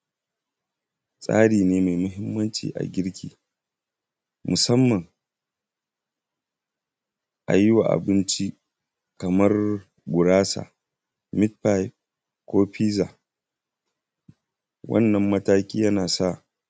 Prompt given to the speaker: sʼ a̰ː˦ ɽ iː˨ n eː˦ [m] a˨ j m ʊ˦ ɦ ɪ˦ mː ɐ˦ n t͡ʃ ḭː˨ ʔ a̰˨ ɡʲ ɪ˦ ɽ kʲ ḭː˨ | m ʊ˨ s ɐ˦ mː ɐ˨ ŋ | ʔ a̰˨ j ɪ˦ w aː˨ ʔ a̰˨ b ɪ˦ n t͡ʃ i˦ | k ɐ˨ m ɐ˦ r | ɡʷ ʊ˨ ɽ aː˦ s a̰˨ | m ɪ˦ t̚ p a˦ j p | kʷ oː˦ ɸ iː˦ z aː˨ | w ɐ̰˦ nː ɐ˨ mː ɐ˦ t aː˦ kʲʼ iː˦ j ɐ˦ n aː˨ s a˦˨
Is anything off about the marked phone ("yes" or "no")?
no